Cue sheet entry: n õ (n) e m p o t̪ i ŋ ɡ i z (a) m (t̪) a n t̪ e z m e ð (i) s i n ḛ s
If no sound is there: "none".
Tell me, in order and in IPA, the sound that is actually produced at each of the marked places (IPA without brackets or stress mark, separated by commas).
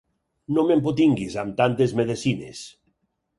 m, a, t̪, e